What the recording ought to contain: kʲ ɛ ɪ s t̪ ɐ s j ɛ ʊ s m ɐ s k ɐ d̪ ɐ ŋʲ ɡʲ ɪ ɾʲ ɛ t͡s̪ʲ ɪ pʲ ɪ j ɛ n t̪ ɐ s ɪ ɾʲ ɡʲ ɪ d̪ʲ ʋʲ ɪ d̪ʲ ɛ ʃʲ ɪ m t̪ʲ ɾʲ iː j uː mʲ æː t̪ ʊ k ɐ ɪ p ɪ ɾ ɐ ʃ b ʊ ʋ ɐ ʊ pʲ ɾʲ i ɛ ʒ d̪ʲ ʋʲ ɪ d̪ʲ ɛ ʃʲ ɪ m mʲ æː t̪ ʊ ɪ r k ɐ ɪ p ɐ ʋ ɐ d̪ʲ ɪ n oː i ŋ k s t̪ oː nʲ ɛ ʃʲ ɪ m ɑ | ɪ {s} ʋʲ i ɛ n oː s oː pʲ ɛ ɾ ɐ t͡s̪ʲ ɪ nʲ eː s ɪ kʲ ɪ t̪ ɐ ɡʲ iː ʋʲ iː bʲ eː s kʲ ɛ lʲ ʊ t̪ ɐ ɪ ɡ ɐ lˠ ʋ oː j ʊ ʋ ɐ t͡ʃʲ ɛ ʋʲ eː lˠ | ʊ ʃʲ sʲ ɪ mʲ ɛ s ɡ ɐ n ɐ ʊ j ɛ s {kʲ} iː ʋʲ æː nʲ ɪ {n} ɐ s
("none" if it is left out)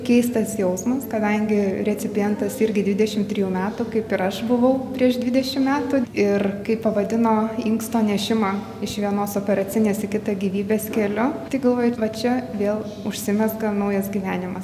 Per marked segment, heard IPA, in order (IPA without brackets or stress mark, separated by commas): ʃ, ɡʲ, m